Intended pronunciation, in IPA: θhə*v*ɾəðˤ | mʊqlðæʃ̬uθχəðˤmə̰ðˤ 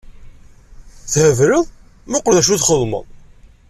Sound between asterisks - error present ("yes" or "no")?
no